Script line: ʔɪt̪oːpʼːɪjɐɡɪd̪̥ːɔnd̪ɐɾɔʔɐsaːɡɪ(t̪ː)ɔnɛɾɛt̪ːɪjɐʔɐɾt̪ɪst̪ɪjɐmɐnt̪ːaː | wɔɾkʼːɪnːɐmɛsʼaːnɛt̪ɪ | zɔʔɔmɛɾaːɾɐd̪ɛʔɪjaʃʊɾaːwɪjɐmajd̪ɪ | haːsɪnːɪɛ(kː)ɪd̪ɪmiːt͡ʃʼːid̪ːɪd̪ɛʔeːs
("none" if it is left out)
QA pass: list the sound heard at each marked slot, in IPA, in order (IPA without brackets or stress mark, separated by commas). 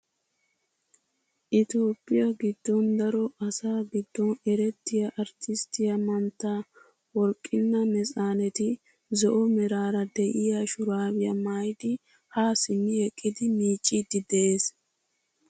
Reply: d̪ː, kʼː